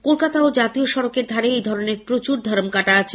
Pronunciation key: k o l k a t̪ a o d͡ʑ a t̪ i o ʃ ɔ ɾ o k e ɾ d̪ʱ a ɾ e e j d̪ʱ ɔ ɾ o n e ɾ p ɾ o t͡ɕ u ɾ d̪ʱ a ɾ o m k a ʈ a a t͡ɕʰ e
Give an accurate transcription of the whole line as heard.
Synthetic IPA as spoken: k o l k a t̪ a o d͡ʑ a t̪ i o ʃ ɔ ɾ o k e ɾ d̪ʱ a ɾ e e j d̪ʱ ɔ ɾ o n e ɾ p ɾ o t͡ɕ u ɾ d̪ʱ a ɾ o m k a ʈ a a t͡ɕʰ e

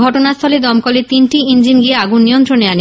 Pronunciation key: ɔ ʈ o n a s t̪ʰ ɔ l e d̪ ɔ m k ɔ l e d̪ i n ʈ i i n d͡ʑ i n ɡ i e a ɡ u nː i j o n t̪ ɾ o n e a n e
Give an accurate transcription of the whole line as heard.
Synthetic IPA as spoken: ɔ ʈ o n a s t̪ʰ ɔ l e d̪ ɔ m k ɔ l e t̪ i n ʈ i i n d͡ʑ i n ɡ i e a ɡ u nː i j o n t̪ ɾ o n e a n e

